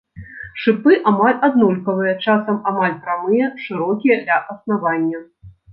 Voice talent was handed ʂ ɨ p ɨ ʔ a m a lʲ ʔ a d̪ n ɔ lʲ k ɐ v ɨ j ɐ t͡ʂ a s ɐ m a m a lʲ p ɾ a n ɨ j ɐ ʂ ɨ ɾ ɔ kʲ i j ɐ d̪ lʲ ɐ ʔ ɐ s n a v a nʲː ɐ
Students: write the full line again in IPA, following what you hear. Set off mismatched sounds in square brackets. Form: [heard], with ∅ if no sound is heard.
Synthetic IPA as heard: ʂ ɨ p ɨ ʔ a m a lʲ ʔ a d̪ n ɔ lʲ k ɐ v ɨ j ɐ t͡ʂ a s ɐ m a m a lʲ p ɾ a [m] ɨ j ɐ ʂ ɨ ɾ ɔ kʲ i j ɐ d̪ lʲ ɐ ʔ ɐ s n a v a nʲː ɐ